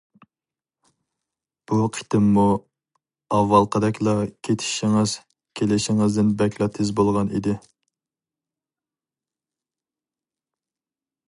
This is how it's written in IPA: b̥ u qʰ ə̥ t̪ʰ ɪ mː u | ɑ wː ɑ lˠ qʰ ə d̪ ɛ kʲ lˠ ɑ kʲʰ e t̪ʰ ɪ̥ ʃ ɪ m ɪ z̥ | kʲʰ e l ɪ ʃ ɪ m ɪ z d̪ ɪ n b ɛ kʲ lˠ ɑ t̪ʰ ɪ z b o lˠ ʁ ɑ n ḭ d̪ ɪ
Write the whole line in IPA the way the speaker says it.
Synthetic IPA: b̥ u qʰ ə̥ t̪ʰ ɪ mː u | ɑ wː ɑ lˠ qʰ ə d̪ ɛ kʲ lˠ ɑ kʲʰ e t̪ʰ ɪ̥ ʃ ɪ ŋ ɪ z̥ | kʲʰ e l ɪ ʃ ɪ ŋ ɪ z d̪ ɪ n b ɛ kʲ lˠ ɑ t̪ʰ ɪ z b o lˠ ʁ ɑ n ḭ d̪ ɪ